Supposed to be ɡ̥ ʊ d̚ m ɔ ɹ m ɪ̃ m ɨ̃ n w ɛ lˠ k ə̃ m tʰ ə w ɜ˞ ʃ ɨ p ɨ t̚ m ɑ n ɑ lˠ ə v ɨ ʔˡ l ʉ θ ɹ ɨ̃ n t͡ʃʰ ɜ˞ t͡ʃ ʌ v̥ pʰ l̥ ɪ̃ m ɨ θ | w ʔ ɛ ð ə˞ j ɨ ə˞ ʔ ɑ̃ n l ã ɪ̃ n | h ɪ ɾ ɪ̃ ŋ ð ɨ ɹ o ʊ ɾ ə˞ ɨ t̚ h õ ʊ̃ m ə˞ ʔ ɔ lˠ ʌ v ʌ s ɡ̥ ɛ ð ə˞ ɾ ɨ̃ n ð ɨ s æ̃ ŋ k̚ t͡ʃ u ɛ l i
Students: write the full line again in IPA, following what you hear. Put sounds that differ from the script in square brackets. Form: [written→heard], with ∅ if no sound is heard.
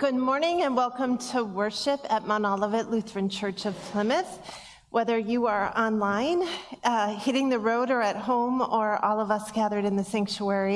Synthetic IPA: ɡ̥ ʊ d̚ m ɔ ɹ [m→n] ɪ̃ [m→ŋ] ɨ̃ n w ɛ lˠ k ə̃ m tʰ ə w ɜ˞ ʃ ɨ p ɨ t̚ m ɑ n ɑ lˠ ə v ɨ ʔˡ l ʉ θ ɹ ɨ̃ n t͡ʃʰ ɜ˞ t͡ʃ ʌ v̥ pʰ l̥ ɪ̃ m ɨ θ | w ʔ ɛ ð ə˞ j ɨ ə˞ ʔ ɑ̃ n l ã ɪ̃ n | h ɪ ɾ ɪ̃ ŋ ð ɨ ɹ o ʊ ɾ ə˞ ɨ t̚ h õ ʊ̃ m ə˞ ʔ ɔ lˠ ʌ v ʌ s ɡ̥ [ɛ→æ] ð ə˞ ɾ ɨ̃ n ð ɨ s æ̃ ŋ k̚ t͡ʃ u ɛ [l→ɹ] i